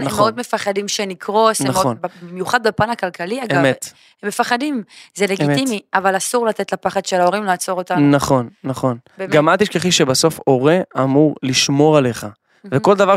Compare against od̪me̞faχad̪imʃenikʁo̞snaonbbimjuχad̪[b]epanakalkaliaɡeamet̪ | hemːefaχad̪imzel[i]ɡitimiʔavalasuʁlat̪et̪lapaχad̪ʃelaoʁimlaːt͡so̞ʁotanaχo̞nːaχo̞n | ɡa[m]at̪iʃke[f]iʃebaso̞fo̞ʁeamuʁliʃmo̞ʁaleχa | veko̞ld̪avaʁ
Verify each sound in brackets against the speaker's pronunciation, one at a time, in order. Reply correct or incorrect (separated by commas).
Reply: correct, incorrect, correct, incorrect